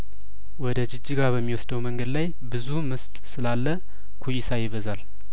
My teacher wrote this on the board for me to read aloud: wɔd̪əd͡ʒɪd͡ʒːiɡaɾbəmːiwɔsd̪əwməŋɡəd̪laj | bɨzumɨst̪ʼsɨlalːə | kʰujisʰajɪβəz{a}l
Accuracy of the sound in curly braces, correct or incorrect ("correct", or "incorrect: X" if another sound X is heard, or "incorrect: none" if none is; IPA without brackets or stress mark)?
correct